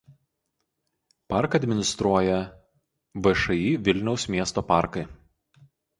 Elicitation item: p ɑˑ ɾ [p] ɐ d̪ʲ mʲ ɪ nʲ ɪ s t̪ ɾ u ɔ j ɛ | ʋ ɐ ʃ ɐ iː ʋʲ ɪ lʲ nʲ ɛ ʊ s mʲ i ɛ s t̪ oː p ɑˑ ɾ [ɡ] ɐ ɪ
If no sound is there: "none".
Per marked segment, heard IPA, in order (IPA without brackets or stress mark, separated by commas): k, k